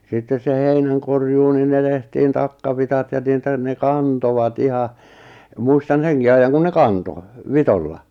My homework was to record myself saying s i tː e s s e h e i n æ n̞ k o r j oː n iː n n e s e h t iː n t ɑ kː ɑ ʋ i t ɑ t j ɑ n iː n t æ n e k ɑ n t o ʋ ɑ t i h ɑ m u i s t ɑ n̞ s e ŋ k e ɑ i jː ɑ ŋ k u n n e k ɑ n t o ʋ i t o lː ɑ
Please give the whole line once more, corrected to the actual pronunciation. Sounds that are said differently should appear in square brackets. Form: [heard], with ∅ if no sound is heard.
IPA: s i tː e s s e h e i n æ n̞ k o r j [uː] n [i] n n e [t] e h t iː n t ɑ kː ɑ ʋ i t ɑ t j ɑ n iː [∅] t æ n e k ɑ n t o ʋ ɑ t i h ɑ m u i s t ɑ n̞ s e ŋ k [i] ɑ i jː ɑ ŋ k u n n e k ɑ n t o ʋ i t o lː ɑ